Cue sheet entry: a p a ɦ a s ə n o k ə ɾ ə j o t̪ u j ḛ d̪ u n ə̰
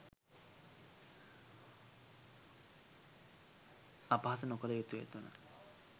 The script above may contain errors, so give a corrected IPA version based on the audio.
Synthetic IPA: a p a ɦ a s ə n o k ə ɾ ə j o t̪ u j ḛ t̪ u n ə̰